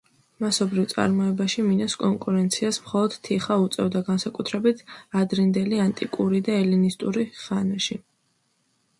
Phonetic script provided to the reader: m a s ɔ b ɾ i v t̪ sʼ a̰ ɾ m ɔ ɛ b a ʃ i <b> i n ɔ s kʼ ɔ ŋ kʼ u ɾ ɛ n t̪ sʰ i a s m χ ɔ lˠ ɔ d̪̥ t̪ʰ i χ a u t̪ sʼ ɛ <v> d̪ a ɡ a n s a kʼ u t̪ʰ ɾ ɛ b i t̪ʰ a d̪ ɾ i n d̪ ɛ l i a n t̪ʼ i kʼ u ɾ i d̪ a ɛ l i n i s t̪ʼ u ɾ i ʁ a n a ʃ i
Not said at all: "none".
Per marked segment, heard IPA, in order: m, v

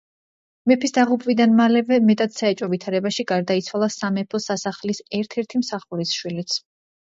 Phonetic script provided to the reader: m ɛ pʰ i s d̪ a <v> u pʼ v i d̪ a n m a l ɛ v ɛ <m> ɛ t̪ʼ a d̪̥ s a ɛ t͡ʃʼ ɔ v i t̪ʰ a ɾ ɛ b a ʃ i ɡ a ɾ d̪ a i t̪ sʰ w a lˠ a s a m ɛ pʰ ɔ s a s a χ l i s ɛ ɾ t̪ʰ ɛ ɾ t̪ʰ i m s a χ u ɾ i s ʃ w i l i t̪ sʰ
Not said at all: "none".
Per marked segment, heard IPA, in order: ʁ, m

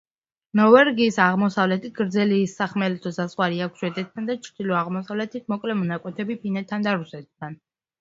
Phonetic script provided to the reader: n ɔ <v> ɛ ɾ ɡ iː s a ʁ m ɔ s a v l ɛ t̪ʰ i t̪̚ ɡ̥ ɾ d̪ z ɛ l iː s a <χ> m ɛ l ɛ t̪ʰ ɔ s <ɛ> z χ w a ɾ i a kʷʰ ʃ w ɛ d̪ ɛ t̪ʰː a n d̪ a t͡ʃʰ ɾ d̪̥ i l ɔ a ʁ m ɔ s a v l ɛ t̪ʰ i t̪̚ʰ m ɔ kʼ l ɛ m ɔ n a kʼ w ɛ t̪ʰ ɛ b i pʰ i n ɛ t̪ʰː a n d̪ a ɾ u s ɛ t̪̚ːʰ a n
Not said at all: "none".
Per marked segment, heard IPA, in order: v, χ, a

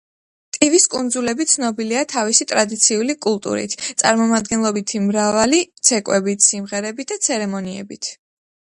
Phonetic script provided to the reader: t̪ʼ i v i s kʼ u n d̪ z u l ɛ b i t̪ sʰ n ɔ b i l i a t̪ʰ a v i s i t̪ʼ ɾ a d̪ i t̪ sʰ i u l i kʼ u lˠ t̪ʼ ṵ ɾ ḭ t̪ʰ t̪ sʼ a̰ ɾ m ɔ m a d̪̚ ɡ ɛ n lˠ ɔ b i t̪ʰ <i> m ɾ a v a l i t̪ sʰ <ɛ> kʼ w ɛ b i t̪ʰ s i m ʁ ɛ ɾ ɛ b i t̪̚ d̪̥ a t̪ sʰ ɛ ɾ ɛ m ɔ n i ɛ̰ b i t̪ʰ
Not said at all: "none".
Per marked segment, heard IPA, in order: i, ɛ

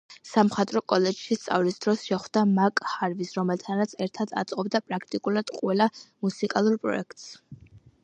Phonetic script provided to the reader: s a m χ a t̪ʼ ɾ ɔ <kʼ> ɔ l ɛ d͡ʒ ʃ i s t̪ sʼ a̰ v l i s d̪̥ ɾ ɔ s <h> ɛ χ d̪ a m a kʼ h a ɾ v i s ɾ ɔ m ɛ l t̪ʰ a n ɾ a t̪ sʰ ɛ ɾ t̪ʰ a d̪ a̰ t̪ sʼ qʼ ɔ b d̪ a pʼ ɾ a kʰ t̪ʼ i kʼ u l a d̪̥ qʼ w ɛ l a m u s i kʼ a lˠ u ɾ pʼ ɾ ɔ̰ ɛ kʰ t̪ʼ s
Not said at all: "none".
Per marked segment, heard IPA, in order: kʼ, ʃ

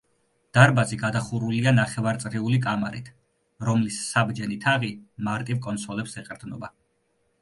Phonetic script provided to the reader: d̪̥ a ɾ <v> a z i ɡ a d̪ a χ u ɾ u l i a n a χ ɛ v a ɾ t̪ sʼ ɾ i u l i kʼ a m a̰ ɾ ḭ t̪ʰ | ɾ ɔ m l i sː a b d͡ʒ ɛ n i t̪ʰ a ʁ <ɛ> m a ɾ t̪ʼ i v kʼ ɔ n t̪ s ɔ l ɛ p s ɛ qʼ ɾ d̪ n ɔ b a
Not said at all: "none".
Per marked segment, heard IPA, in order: b, i

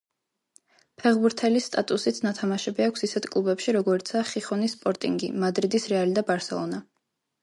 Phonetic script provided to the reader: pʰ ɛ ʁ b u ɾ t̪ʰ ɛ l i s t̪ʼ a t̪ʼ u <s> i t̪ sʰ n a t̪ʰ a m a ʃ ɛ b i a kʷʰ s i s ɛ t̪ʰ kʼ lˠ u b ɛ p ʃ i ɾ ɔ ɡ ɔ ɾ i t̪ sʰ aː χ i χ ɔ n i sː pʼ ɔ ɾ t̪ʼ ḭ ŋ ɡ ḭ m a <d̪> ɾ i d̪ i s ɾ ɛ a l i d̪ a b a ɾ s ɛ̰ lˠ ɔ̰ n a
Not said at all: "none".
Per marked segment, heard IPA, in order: s, d̪

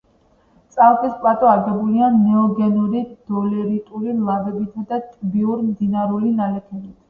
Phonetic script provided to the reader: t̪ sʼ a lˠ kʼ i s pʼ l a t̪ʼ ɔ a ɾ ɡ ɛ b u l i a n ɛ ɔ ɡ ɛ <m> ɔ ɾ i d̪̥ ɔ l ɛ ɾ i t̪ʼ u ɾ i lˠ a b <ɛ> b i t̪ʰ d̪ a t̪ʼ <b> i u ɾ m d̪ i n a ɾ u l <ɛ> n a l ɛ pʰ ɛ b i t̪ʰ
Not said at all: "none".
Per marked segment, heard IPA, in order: n, ɛ, b, i

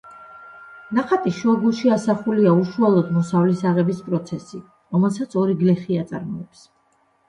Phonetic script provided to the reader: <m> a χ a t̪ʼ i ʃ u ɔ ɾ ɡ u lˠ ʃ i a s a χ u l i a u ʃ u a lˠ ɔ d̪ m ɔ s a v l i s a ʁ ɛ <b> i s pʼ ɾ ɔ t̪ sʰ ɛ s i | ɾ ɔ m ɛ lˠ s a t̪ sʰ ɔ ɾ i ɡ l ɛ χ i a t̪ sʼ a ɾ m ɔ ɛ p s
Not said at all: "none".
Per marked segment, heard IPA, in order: n, b

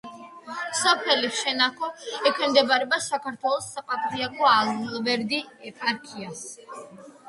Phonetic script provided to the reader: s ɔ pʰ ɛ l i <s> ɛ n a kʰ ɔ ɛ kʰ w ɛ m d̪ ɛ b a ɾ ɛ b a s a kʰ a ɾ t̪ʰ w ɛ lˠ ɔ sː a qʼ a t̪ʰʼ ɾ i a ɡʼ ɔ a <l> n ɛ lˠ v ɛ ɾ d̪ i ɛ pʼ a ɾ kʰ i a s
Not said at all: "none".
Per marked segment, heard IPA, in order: ʃ, l

